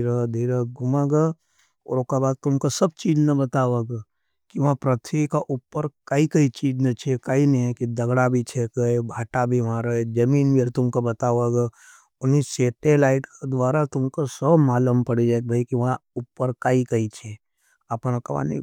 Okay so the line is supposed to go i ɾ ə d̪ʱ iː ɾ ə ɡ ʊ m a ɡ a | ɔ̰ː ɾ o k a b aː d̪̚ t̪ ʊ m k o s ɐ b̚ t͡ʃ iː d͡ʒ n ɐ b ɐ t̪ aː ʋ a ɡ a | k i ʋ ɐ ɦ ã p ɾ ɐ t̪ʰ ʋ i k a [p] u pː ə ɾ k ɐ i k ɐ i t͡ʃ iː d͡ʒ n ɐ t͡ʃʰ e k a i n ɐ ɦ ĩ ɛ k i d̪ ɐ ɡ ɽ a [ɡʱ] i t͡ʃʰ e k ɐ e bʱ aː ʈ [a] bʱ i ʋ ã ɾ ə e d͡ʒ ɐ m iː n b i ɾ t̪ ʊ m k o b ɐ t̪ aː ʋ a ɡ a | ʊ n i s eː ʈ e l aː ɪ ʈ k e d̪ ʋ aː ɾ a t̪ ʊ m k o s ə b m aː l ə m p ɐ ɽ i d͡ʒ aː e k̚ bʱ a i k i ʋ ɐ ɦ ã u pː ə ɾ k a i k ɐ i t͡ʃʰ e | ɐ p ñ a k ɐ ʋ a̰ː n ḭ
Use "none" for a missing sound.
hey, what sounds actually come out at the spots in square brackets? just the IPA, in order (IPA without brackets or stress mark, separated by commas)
ʔ, bʱ, a